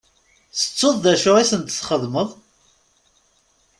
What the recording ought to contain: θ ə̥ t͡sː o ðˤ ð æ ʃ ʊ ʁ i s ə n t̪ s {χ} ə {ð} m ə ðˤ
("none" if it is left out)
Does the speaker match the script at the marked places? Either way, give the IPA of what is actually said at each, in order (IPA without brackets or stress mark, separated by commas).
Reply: χ, ð